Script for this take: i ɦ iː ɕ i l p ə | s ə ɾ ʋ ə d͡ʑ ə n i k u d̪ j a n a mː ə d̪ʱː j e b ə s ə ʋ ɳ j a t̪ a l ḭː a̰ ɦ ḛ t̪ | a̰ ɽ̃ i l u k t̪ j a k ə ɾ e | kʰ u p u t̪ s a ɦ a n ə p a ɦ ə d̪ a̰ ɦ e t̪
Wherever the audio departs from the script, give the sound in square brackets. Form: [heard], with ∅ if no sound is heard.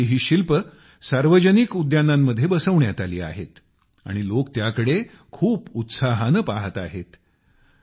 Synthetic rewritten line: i ɦ iː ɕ i l p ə | s [a] ɾ ʋ ə d͡ʑ ə n i k u d̪ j a n a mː ə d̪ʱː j e b ə s ə ʋ ɳ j a t̪ a l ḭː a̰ ɦ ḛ t̪ | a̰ ɽ̃ i l [o] k t̪ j a k ə [ɽ] e | kʰ [uː] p u t̪ s a ɦ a n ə p a ɦ ə [t̪] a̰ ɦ e t̪